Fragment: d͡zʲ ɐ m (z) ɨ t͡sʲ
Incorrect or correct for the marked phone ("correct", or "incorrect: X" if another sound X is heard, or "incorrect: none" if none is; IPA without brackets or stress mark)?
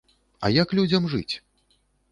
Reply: incorrect: ʐ